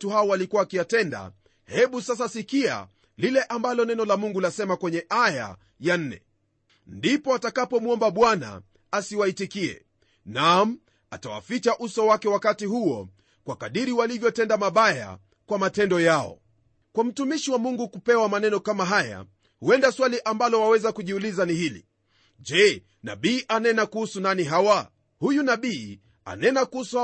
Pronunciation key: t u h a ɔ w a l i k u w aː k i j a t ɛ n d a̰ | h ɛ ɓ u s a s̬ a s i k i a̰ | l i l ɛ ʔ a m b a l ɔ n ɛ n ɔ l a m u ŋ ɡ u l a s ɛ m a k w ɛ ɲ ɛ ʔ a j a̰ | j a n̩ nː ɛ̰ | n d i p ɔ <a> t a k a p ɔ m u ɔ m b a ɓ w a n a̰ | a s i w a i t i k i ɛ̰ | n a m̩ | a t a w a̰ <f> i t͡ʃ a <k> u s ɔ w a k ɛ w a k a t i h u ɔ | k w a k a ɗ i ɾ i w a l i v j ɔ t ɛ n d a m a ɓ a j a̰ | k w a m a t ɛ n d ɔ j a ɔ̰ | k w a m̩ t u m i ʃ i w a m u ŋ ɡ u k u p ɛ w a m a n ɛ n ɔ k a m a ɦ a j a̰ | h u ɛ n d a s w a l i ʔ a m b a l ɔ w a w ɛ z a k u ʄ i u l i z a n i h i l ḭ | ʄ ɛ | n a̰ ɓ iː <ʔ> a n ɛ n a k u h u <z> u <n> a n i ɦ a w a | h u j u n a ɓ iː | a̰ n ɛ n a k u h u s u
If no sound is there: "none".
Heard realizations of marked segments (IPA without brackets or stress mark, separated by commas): a, f, ʔ, ʔ, s, n